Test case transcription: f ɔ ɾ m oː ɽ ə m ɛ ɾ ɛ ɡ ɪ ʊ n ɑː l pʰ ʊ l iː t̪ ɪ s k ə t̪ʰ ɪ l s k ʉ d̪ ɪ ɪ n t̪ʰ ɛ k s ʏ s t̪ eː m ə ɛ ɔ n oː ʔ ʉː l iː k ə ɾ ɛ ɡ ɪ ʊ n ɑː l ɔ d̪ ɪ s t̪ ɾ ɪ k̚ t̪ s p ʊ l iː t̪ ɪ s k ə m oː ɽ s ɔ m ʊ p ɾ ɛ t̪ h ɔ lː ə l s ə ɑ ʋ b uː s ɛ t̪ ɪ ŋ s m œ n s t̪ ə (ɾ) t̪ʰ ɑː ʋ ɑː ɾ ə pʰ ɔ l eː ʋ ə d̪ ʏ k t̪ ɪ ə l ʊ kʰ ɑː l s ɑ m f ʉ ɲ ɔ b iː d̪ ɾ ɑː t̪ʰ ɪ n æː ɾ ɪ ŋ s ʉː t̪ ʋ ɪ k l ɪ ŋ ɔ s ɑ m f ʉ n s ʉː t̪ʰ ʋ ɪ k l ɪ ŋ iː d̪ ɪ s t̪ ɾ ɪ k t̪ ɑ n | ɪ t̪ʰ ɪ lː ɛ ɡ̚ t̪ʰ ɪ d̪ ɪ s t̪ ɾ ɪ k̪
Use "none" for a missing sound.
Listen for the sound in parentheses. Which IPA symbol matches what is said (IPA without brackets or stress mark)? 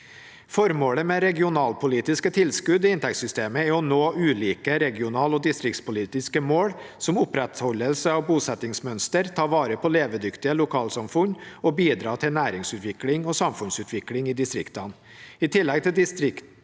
ɾ